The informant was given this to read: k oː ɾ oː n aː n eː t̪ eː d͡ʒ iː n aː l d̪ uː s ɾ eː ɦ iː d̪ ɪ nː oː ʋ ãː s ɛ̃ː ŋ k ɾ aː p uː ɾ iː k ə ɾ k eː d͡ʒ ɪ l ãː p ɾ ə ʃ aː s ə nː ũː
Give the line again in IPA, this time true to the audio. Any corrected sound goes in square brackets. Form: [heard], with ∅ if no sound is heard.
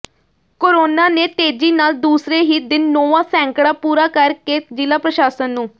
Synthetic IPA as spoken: k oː ɾ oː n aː n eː t̪ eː d͡ʒ iː n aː l d̪ uː s ɾ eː ɦ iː d̪ ɪ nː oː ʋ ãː s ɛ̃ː ŋ k [ɽ] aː p uː ɾ [aː] k ə ɾ k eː d͡ʒ ɪ l [aː] p ɾ ə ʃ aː s ə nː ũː